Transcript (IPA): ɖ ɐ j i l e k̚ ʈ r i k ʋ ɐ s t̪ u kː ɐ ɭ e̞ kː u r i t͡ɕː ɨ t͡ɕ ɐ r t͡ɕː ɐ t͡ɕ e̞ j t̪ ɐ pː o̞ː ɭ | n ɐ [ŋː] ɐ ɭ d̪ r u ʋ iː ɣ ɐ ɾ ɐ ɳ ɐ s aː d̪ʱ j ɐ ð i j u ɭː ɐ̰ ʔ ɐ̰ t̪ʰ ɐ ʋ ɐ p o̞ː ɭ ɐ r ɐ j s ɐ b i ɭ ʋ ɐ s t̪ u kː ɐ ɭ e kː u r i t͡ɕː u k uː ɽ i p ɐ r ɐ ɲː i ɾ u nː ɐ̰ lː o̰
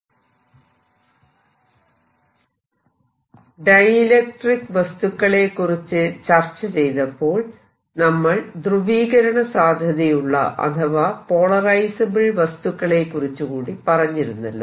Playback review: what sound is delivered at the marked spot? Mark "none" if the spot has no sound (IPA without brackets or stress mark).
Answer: mː